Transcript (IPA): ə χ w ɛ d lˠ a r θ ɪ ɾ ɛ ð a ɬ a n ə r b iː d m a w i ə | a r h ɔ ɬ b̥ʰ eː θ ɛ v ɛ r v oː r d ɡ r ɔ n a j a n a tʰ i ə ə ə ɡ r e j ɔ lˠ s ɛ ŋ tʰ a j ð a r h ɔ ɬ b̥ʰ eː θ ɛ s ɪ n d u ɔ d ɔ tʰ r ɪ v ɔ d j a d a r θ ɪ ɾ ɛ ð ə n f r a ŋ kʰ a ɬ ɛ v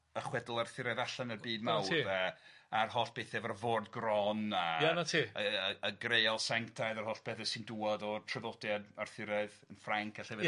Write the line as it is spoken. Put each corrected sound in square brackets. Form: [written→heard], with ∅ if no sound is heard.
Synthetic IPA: ə χ w ɛ d lˠ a r θ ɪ ɾ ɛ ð a ɬ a n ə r b iː d m a w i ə | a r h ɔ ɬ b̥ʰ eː θ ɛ v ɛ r v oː r d ɡ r ɔ n a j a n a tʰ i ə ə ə ɡ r e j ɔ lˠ s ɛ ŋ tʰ a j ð a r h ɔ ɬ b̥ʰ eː θ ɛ s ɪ n d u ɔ d ɔ tʰ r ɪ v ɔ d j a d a r θ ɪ ɾ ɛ ð ə n f r a ŋ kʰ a ɬ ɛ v